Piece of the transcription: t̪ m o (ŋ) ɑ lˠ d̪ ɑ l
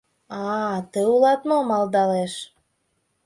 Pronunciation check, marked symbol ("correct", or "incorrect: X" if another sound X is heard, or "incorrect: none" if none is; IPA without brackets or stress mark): incorrect: m